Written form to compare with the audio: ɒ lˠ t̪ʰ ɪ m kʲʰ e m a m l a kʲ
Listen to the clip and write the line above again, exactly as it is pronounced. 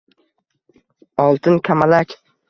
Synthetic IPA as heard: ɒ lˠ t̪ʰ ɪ n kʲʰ a m a l a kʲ